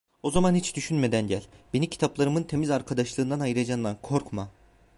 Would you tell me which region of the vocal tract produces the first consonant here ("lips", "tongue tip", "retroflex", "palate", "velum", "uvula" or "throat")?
tongue tip